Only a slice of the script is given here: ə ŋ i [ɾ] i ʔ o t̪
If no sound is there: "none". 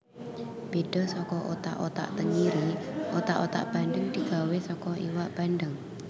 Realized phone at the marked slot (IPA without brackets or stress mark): ɾ